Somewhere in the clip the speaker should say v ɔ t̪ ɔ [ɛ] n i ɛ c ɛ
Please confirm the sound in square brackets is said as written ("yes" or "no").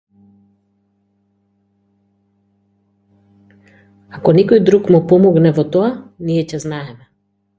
no